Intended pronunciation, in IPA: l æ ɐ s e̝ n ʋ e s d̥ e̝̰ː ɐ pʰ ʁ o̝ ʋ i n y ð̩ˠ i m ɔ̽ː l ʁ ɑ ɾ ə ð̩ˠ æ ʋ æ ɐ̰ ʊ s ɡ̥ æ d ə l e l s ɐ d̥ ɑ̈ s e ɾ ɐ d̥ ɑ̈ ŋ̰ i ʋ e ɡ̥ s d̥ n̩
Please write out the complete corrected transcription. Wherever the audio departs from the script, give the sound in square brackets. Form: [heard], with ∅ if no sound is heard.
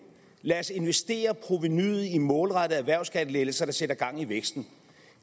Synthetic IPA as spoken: l æ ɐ s e̝ n ʋ e s d̥ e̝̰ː ɐ pʰ ʁ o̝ ʋ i n y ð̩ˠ i m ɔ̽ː l ʁ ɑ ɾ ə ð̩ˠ æ ʋ æ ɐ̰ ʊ s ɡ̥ æ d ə l e l s ɐ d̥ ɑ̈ s e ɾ ɐ [ɡ̥] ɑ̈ ŋ̰ i ʋ e ɡ̥ s d̥ n̩